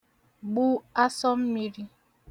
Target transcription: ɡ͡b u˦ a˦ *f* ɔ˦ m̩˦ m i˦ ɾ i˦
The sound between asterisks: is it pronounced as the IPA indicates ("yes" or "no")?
no